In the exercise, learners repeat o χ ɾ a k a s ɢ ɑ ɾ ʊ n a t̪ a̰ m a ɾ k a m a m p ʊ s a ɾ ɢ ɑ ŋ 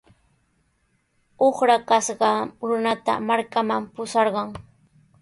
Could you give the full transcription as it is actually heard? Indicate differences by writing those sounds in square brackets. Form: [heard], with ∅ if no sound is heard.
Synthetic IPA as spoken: o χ ɾ a k a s ɢ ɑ ɾ ʊ n a t̪ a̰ m a ɾ k a m a m p ʊ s [ɑ] ɾ ɢ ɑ ŋ